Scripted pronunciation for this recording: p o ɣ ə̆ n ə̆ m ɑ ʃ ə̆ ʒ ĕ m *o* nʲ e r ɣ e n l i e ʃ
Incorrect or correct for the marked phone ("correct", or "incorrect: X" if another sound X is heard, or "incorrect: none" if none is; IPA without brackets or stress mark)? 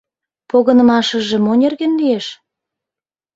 correct